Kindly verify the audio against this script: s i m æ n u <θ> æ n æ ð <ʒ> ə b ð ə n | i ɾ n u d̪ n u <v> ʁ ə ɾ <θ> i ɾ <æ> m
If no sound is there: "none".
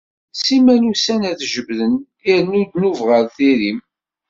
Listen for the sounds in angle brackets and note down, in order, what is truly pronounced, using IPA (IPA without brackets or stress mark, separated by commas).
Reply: s, ʒ, v, θ, i